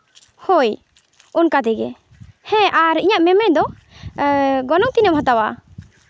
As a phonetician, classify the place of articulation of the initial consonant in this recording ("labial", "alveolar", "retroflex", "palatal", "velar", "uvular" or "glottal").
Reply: glottal